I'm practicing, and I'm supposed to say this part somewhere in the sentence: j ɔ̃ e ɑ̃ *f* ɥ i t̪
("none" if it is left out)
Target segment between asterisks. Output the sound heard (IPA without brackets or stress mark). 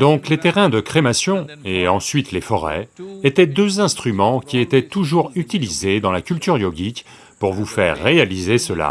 s